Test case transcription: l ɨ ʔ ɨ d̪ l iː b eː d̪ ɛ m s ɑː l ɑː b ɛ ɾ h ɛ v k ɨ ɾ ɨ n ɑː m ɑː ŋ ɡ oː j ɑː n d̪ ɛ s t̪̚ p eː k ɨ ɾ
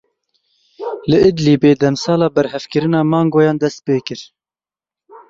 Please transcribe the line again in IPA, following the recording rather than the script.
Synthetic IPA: l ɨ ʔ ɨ d̪ l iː b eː d̪ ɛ m s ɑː l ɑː b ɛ ɾ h ɛ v k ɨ ɾ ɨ n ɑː m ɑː ŋ ɡ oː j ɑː n d̪ ɛ s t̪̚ p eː k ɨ ɾ